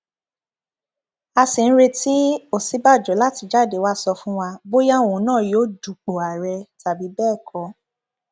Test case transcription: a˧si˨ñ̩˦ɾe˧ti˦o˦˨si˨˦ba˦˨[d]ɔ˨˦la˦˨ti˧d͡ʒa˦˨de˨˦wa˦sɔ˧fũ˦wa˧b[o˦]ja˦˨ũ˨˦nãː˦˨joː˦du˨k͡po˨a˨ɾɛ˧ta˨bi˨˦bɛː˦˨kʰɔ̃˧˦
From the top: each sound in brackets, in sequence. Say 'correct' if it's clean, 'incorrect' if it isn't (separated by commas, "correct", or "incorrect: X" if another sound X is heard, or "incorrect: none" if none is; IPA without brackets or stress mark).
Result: incorrect: d͡ʒ, correct